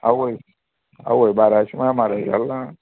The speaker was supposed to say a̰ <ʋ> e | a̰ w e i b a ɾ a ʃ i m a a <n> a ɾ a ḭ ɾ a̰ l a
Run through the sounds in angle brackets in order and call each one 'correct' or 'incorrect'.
incorrect, incorrect

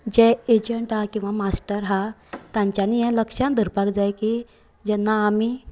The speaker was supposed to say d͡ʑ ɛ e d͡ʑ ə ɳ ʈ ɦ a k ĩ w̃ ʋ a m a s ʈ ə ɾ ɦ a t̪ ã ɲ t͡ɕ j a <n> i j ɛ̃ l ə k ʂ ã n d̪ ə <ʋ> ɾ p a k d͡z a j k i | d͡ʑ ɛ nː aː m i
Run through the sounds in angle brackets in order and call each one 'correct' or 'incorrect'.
correct, incorrect

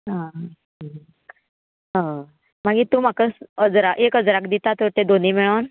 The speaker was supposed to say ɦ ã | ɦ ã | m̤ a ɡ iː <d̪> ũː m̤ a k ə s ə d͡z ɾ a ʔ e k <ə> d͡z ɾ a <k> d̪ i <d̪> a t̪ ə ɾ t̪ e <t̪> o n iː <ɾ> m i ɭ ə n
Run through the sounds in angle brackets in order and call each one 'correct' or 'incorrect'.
incorrect, correct, correct, incorrect, incorrect, incorrect

